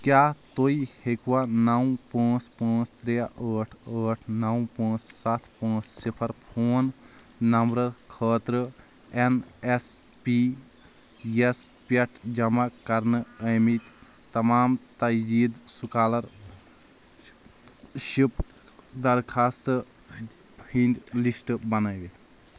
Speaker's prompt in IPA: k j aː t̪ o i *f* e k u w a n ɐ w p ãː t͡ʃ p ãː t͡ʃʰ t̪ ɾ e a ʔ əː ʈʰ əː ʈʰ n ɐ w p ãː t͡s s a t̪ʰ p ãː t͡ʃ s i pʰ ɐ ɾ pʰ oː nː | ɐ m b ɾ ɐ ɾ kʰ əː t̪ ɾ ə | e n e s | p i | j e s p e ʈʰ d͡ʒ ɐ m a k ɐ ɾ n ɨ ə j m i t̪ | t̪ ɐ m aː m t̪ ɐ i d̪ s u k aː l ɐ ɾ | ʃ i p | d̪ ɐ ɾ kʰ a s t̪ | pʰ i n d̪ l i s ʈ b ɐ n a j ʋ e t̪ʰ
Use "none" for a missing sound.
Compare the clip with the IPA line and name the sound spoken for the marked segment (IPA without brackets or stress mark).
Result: h